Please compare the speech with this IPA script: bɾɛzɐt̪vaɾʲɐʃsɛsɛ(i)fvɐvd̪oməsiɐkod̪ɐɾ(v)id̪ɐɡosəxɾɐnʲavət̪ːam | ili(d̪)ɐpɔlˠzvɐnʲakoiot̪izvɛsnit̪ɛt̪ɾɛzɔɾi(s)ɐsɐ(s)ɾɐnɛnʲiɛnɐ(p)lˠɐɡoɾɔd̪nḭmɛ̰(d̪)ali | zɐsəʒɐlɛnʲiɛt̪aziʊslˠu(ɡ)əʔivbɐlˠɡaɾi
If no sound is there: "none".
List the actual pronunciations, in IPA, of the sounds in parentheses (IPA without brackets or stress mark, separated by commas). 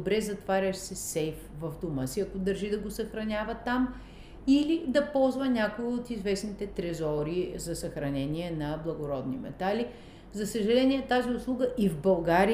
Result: j, ʒ, d̪, z, x, b, t̪, ɡ